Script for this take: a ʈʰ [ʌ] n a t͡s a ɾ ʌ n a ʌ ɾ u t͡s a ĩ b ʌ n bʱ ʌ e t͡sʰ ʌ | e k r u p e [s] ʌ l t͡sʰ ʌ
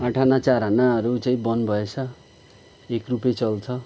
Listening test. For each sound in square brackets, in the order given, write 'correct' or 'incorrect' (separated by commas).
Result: incorrect, incorrect